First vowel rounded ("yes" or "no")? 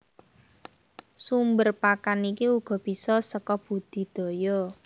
yes